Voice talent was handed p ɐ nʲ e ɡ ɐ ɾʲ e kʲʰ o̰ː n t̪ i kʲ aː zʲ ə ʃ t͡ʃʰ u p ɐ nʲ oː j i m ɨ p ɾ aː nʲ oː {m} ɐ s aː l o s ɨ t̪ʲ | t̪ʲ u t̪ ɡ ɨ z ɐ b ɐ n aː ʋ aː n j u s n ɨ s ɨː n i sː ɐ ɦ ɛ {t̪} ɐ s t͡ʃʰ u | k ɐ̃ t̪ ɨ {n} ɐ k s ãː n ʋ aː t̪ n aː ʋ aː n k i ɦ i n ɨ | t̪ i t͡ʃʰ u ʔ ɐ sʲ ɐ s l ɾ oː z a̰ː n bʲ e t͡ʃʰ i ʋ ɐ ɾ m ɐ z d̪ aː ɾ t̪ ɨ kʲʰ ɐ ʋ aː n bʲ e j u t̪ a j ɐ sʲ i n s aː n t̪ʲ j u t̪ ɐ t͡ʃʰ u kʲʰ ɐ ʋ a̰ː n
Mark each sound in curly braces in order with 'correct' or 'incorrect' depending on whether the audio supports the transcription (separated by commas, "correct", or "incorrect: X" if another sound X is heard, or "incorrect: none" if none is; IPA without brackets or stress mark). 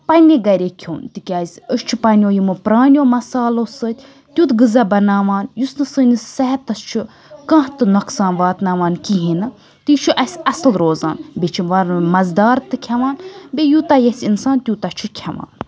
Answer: correct, correct, correct